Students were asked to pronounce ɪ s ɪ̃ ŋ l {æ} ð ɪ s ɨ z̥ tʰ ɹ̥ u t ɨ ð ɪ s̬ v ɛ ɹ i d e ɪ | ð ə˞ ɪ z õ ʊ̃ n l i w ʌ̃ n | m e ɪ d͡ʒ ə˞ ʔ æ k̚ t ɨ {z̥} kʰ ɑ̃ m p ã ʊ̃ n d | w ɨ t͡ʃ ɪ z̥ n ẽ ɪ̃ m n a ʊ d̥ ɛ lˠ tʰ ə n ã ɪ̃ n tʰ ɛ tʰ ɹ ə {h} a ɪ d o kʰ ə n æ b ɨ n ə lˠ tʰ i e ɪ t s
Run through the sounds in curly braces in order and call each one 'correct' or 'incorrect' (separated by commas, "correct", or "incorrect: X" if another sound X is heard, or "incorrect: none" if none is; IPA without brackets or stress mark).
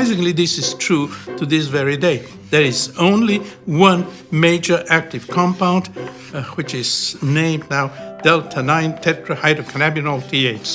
incorrect: i, incorrect: v̥, correct